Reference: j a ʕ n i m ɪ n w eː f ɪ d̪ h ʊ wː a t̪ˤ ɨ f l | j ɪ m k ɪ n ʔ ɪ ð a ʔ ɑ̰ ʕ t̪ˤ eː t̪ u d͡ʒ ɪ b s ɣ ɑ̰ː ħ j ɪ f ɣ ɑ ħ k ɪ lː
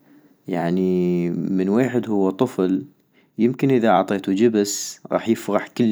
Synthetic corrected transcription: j a ʕ n i m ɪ n w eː ħ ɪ d̪ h ʊ wː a t̪ˤ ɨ f l | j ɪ m k ɪ n ʔ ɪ ð a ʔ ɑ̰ ʕ t̪ˤ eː t̪ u d͡ʒ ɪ b s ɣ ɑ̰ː ħ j ɪ f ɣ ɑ ħ k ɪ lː